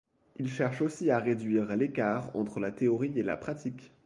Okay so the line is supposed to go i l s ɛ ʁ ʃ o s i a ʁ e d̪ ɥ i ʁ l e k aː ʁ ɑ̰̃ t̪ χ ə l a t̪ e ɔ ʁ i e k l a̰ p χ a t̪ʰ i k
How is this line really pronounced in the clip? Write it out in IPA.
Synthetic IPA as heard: i l ʃ ɛ ʁ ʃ o s i a ʁ e d̪ ɥ i ʁ l e k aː ʁ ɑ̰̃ t̪ χ ə l a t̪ e ɔ ʁ i e l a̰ p χ a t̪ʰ i k